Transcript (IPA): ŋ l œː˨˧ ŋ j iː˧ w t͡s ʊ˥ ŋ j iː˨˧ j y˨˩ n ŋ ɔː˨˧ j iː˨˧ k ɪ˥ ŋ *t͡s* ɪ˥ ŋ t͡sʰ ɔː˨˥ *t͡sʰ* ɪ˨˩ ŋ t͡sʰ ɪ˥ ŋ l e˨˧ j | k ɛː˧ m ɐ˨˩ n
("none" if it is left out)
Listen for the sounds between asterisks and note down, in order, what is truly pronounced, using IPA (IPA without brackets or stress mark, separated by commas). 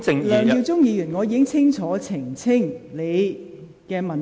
t͡sʰ, t͡sʰ